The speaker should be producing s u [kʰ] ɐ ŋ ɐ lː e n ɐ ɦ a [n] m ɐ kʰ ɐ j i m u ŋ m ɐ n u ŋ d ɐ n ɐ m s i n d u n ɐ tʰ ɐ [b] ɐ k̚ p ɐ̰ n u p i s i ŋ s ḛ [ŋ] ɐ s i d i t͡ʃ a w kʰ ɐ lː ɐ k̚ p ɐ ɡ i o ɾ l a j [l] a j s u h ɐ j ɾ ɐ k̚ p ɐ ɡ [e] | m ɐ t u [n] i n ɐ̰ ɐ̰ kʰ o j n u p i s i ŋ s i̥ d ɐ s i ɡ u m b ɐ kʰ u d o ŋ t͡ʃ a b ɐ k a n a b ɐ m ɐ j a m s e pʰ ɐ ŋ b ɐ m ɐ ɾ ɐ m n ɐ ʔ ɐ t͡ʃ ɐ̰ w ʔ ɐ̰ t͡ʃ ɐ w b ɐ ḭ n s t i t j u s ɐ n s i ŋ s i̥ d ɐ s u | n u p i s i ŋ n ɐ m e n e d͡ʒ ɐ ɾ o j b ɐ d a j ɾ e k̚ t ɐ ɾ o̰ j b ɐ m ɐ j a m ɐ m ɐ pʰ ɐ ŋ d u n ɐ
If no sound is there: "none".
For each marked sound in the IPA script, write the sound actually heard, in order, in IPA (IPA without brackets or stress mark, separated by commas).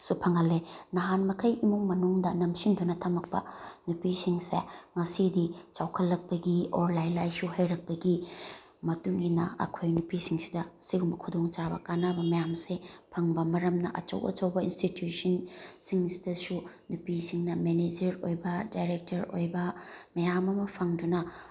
pʰ, n, m, ŋ, l, i, ŋ